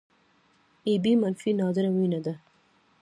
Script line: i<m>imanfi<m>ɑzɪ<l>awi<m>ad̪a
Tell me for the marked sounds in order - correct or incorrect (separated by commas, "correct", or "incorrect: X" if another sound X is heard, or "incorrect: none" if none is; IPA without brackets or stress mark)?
incorrect: b, incorrect: n, incorrect: ɾ, incorrect: n